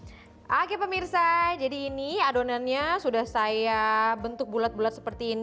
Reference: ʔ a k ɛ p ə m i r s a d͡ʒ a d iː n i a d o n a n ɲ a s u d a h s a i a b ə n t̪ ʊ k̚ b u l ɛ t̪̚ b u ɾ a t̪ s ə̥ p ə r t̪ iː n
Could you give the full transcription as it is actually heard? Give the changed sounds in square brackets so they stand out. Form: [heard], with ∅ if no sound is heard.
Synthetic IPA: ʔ a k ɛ p ə m i r s a d͡ʒ a d iː n i a d o n a n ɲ a s u d a h s a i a b ə n t̪ ʊ k̚ b u l [a] t̪̚ b u [l] a t̪ s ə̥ p ə r t̪ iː n